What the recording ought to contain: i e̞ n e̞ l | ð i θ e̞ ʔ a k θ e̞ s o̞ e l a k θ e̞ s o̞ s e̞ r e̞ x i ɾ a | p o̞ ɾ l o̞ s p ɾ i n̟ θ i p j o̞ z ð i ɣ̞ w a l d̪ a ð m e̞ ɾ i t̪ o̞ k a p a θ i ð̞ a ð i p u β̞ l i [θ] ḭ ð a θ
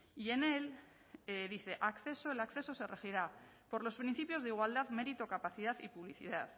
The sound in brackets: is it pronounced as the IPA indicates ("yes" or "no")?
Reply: yes